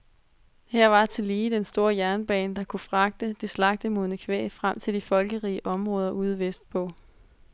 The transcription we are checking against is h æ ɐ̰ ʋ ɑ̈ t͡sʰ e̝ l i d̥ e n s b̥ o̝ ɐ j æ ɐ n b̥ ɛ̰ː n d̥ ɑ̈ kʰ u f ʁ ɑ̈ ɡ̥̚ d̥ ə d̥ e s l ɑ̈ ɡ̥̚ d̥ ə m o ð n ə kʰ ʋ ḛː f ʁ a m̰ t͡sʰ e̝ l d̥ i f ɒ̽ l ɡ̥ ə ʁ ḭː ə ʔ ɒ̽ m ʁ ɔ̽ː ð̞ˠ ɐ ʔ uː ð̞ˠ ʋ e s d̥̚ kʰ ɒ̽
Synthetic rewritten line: h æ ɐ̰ ʋ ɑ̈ t͡sʰ e̝ l iː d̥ e n s d̥ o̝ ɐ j æ ɐ n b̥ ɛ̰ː n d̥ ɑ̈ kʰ u f ʁ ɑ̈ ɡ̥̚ d̥ ə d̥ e s l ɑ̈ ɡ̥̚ d̥ ə m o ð n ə kʰ ʋ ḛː f ʁ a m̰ t͡sʰ e̝ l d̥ i f ɒ̽ l ɡ̥ ə ʁ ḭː ə ʔ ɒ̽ m ʁ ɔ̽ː ð̞ˠ ɐ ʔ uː ð̞ˠ ʋ e s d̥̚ pʰ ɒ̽